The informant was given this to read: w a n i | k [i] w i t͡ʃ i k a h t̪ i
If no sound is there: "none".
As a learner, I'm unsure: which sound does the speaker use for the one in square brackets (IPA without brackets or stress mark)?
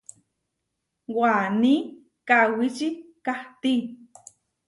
a